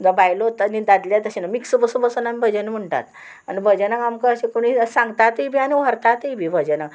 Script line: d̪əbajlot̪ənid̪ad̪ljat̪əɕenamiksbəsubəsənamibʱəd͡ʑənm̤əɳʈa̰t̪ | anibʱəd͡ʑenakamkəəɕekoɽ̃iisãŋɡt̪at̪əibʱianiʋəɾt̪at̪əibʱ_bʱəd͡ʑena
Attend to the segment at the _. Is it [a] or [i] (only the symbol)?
i